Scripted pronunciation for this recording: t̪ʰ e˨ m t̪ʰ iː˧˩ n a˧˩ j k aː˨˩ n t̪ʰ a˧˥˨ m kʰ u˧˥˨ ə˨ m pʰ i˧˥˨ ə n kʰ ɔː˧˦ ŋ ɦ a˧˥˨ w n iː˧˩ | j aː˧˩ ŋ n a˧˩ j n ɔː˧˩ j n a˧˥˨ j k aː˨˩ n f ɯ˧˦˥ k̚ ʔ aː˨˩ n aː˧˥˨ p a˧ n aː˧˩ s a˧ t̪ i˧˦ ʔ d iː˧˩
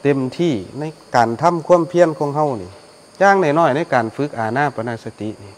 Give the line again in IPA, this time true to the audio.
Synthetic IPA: t̪ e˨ m t̪ʰ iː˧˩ n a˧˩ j k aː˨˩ n t̪ʰ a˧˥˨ m kʰ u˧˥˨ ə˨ m pʰ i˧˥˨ ə n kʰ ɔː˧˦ ŋ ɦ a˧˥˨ w n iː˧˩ | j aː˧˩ ŋ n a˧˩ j n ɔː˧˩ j n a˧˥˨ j k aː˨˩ n f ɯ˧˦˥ k̚ ʔ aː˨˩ n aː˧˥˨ p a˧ n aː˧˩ s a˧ t̪ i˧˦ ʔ n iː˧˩

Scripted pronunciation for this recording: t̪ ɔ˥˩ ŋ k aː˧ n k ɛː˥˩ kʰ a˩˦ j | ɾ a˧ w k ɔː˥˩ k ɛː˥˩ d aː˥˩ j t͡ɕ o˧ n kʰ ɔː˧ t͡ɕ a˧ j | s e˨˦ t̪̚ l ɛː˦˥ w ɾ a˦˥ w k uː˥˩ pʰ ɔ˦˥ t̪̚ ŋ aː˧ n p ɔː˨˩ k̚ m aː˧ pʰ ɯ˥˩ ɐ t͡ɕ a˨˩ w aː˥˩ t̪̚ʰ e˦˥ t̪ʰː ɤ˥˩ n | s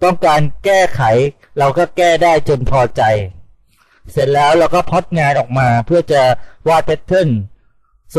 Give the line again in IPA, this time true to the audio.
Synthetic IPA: t̪ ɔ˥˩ ŋ k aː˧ n k ɛː˥˩ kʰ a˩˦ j | ɾ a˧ w k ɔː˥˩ k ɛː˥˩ d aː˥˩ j t͡ɕ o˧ n pʰ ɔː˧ t͡ɕ a˧ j | s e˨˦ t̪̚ l ɛː˦˥ w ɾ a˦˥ w k ɔː˥˩ pʰ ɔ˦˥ t̪̚ ŋ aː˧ n ʔ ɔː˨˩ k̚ m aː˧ pʰ ɯ˥˩ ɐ t͡ɕ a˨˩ w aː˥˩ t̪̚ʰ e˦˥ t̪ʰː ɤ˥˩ n | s

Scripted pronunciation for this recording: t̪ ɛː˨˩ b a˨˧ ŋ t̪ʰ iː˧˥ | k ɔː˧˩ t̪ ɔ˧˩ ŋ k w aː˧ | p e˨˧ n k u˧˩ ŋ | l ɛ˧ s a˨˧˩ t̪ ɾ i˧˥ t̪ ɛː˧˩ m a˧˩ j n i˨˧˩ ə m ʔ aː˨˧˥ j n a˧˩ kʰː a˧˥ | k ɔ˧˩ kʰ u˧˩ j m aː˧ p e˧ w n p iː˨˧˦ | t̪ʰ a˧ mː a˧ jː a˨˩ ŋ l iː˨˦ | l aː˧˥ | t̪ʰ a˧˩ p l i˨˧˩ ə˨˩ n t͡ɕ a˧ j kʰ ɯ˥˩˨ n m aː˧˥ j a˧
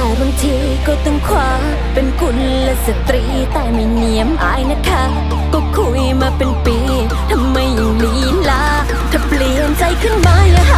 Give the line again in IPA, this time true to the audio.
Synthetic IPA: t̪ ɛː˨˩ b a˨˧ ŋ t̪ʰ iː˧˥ | k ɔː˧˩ t̪ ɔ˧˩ ŋ kʰ w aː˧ | p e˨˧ n k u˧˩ n | l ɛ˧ s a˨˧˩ t̪ ɾ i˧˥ t̪ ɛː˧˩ m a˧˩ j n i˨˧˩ ə m ʔ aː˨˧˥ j n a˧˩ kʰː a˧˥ | k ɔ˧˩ kʰ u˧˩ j m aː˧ p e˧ n p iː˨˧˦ | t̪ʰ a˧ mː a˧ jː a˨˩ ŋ l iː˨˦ | l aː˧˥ | t̪ʰ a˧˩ p l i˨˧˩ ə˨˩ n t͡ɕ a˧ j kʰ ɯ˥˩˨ n m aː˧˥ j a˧

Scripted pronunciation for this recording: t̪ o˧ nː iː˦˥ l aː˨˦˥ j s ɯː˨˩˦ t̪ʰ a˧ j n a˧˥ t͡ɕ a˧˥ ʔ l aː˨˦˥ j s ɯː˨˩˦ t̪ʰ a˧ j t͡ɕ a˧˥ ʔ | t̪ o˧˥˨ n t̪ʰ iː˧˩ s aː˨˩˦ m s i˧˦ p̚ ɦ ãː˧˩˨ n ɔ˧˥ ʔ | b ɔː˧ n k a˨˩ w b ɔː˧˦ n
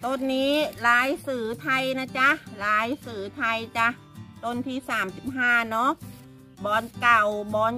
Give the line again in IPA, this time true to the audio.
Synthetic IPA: t̪ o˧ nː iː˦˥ l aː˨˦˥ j s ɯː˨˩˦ t̪ʰ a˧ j n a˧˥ t͡ɕ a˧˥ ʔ l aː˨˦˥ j s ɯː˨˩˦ t̪ʰ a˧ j t͡ɕ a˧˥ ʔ | t̪ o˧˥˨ n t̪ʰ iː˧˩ s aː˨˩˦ m s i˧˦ p̚ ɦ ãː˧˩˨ n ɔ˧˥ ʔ | b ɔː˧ n k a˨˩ w b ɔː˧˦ n

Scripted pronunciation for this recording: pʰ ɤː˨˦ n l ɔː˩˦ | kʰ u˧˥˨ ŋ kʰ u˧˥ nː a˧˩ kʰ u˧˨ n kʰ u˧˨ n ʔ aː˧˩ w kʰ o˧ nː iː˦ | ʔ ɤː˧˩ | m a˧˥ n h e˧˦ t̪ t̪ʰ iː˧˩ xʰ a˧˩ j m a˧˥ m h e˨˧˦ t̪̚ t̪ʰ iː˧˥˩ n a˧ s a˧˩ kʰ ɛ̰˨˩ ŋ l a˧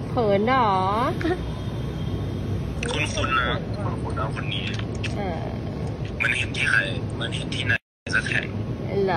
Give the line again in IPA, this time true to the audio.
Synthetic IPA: pʰ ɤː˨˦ n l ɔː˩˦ | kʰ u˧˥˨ n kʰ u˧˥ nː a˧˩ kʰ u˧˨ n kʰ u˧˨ n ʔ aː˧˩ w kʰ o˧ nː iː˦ | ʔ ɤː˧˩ | m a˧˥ n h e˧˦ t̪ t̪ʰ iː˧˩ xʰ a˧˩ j m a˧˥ n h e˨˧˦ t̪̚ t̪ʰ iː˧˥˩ n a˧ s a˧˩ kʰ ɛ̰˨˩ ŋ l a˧

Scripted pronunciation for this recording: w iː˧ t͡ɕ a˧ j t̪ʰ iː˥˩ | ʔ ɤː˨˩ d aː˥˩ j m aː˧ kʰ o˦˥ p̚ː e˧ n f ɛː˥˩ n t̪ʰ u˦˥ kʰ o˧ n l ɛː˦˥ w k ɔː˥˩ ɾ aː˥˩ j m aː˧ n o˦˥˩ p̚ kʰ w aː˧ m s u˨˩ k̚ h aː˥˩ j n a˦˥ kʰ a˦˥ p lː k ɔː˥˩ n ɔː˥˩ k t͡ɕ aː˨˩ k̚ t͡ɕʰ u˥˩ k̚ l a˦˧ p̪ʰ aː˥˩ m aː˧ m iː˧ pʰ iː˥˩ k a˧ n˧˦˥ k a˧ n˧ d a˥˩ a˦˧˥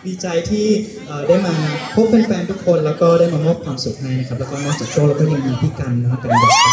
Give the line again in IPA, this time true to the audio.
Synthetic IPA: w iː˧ t͡ɕ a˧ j t̪ʰ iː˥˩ | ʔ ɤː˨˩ d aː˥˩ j m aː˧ pʰ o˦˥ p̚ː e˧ n f ɛː˧ n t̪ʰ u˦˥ kʰ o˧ n l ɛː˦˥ w k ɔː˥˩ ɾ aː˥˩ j m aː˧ m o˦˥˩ p̚ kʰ w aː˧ m s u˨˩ k̚ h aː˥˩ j n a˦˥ kʰ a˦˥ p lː k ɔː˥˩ n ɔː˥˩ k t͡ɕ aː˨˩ k̚ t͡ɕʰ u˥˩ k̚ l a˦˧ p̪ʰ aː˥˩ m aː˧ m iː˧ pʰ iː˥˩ k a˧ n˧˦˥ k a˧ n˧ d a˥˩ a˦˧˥

